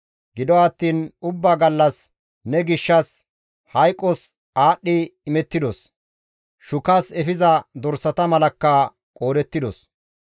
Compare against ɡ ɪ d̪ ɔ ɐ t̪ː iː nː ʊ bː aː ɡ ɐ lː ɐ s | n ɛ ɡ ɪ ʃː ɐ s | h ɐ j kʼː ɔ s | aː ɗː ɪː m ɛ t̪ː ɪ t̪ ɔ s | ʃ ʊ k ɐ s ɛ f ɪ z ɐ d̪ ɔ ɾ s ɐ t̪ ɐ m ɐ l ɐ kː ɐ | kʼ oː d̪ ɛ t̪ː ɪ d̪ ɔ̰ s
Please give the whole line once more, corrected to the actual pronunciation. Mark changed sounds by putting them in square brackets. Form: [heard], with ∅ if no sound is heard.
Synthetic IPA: ɡ ɪ d̪ ɔ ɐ t̪ː iː [n] ʊ bː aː ɡ ɐ lː ɐ s | n ɛ ɡ ɪ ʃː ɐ s | h ɐ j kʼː ɔ s | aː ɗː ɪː m ɛ t̪ː ɪ [d̪] ɔ s | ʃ ʊ k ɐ s ɛ f ɪ z ɐ d̪ ɔ ɾ s ɐ t̪ ɐ m ɐ l ɐ kː ɐ | kʼ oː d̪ ɛ t̪ː ɪ d̪ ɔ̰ s